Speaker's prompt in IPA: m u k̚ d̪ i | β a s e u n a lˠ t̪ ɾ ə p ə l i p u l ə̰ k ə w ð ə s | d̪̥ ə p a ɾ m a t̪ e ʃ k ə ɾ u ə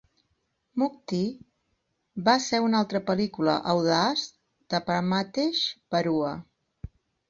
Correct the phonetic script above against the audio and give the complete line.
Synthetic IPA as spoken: m u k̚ t̪ i | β a s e u n a lˠ t̪ ɾ ə p ə l i k u l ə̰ ʔ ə w ð a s | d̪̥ ə p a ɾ m a t̪ e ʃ p ə ɾ u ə

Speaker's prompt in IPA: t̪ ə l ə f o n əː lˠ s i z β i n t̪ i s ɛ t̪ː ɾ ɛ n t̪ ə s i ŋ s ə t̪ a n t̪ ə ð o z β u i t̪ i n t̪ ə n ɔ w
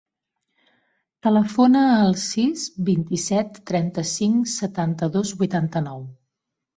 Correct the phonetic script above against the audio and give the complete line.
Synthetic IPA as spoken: t̪ ə l ə f o n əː lˠ s i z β i n t̪ i s ɛ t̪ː ɾ ɛ n t̪ ə s i ŋ s ə t̪ a n t̪ ə ð o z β u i t̪ a n t̪ ə n ɔ w

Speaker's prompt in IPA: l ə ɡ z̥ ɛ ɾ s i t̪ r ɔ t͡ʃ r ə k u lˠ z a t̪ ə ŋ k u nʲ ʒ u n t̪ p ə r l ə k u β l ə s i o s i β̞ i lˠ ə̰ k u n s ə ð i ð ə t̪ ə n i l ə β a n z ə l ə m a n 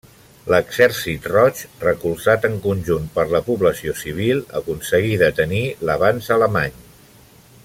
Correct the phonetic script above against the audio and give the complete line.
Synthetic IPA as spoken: l ə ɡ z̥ ɛ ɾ s i t̪ r ɔ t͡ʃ r ə k u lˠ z a t̪ ə ŋ k u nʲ ʒ u n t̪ p ə ɾ l ə p u β l ə s i o s i β̞ i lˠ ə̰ k u n s ə ɣ i ð ə t̪ ə n i l ə β a n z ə l ə m a ɲ

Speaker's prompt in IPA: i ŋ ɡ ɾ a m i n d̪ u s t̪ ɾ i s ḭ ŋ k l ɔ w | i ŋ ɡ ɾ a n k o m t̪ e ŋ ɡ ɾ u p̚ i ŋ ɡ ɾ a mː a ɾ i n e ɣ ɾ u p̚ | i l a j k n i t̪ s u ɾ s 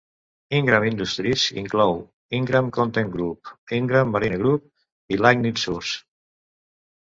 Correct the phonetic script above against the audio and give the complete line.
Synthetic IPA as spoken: i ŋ ɡ ɾ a m i n d̪ u s t̪ ɾ i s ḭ ŋ k l ɔ w | i ŋ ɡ ɾ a m k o n t̪ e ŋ ɡ ɾ u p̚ i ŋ ɡ ɾ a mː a ɾ i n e ɣ ɾ u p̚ | i l a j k n i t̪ s u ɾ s

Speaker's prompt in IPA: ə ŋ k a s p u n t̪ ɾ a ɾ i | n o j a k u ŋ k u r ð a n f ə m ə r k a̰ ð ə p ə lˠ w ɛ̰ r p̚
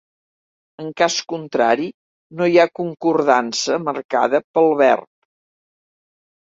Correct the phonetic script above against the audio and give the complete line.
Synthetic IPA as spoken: ə ŋ k a s k u n t̪ ɾ a ɾ i | n o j a k u ŋ k u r ð a n s ə m ə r k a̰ ð ə p ə lˠ β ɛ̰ r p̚

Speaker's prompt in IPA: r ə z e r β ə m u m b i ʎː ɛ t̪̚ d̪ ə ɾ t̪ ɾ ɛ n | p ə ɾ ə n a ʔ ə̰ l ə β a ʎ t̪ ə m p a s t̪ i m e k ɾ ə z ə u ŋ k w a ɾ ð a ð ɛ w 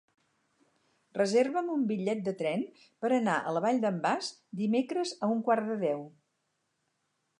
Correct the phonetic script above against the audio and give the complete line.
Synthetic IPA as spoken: r ə z e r β ə m u m b i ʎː ɛ t̪̚ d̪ ə t̪ ɾ ɛ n | p ə ɾ ə n a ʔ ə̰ l ə β a ʎ d̪ ə m b a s d̪ i m e k ɾ ə z ə u ŋ k w a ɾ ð ə ð ɛ w

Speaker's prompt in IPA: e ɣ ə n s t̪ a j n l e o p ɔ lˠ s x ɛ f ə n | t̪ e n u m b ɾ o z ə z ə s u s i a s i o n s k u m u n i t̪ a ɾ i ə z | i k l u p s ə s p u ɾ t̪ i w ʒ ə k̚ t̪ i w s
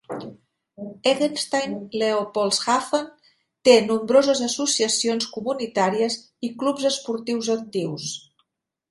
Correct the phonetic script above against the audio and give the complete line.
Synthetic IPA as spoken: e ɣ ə n s t̪ a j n l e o p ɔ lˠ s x a f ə n | t̪ e n u m b ɾ o z ə z ə s u s i ə s i o n s k u m u n i t̪ a ɾ i ə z | i k l u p z ə s p u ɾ t̪ i w z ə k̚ t̪ i w s

